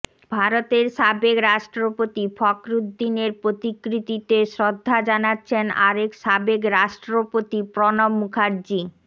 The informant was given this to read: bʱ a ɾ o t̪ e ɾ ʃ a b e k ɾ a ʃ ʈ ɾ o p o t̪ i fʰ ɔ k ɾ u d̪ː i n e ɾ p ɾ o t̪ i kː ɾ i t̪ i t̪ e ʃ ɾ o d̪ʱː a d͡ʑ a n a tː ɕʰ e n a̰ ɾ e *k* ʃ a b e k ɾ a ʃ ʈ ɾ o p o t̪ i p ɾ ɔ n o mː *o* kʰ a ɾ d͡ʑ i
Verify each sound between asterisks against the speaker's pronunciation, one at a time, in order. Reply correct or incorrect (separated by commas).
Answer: correct, incorrect